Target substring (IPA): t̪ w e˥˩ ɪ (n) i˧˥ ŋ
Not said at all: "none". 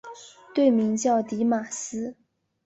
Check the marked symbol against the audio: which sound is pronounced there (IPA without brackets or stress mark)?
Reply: m